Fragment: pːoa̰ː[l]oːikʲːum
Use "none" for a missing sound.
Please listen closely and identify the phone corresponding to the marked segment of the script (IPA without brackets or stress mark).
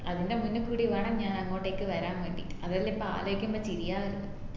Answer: l